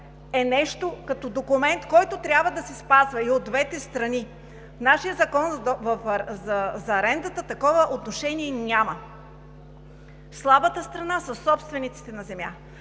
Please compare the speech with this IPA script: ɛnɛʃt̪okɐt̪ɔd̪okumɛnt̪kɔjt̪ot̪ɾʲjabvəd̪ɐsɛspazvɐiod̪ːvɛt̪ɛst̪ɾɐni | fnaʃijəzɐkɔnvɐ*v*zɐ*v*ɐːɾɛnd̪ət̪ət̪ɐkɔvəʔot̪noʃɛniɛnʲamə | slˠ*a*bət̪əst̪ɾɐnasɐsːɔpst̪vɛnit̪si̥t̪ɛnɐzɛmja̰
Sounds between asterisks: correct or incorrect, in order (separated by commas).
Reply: incorrect, incorrect, correct